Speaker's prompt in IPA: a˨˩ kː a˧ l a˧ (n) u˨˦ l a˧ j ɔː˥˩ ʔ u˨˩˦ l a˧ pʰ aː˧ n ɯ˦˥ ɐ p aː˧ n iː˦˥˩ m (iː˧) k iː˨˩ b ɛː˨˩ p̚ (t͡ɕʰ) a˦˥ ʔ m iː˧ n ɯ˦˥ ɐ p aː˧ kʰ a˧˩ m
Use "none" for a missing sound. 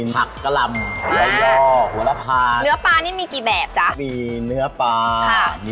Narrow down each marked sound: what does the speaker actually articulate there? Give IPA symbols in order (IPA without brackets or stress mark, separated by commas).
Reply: m, iː˧, t͡ɕ